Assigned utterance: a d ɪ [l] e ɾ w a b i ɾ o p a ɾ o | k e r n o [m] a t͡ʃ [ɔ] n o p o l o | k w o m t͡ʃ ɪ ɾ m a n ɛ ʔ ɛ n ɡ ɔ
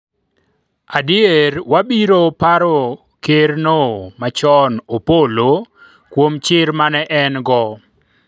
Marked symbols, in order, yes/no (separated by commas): no, yes, yes